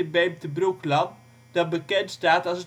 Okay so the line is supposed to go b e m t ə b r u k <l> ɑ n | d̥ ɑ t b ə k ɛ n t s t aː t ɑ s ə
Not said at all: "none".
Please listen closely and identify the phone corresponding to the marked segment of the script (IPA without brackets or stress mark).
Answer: l